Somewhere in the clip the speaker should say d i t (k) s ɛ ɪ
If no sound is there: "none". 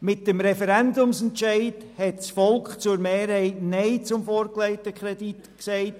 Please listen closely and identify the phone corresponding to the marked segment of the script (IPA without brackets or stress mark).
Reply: k